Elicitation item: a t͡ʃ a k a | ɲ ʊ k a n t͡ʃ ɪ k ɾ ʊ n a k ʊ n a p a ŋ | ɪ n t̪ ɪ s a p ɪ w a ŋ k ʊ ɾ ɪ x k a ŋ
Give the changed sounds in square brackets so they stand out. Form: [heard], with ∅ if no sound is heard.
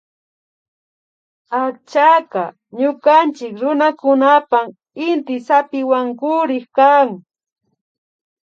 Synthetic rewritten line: a t͡ʃ a k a | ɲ ʊ k a n t͡ʃ ɪ k ɾ ʊ n a k ʊ n a p a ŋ | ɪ n t̪ ɪ s a p ɪ w a ŋ k ʊ ɾ ɪ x k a ŋ